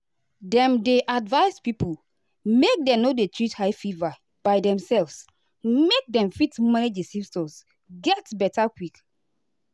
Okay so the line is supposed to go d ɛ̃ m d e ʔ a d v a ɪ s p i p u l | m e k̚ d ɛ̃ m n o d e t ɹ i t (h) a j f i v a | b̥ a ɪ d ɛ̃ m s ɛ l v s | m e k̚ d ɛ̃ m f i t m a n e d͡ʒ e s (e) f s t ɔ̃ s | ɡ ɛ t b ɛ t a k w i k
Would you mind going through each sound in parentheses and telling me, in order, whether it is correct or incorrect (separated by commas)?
correct, incorrect